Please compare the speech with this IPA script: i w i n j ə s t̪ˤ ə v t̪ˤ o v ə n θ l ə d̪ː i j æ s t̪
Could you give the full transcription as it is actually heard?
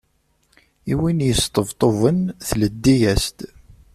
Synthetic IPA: i w i n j ə s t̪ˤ ə v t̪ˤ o v ə n θ l ə d̪ː i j æ s t̪